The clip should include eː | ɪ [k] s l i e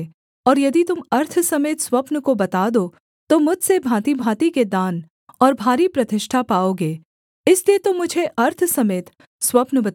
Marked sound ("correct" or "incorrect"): incorrect